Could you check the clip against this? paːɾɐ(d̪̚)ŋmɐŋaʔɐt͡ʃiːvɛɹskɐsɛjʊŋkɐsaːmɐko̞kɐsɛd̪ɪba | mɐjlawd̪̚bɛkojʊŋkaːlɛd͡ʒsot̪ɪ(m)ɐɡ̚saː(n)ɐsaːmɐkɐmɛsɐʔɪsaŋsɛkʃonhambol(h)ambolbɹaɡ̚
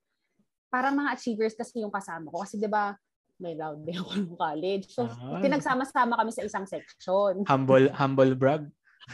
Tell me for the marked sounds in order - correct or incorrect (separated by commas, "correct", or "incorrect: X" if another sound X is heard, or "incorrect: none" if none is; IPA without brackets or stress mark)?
incorrect: none, incorrect: n, incorrect: m, correct